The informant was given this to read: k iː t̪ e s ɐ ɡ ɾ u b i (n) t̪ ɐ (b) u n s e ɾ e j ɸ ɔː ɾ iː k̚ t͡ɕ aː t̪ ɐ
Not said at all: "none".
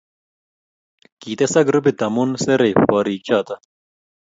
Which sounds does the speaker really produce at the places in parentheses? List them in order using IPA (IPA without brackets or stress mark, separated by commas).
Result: none, m